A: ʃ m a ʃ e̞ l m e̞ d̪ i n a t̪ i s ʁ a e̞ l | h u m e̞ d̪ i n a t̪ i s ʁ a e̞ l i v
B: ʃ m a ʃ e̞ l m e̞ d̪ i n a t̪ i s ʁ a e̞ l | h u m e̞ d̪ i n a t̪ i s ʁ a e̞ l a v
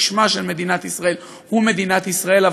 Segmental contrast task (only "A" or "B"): B